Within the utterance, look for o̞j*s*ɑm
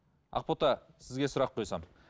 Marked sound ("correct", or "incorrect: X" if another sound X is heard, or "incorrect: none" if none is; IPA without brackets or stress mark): correct